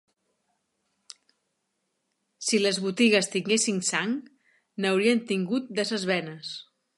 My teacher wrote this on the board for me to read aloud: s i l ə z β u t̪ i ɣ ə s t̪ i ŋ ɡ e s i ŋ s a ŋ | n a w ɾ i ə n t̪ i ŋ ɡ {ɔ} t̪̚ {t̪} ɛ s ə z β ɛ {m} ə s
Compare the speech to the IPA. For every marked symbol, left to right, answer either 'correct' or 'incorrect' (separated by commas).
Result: incorrect, incorrect, incorrect